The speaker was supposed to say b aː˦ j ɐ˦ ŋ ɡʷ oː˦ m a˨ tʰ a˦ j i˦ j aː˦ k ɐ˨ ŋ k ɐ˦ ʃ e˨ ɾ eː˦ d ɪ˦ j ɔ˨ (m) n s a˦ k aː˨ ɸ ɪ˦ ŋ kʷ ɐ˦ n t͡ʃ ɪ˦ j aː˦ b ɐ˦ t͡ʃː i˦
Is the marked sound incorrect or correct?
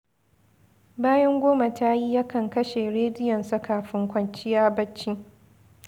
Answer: incorrect